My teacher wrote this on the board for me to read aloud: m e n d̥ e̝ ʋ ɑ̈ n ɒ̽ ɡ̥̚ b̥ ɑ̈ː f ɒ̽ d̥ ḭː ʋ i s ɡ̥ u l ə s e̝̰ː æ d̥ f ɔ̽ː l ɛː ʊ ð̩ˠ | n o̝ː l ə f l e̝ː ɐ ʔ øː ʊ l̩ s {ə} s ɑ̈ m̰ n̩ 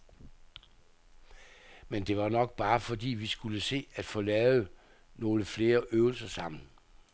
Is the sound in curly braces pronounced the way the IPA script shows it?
no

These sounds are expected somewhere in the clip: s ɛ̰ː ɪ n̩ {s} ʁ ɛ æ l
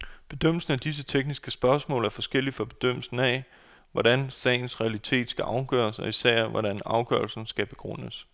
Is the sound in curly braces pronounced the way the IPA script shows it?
yes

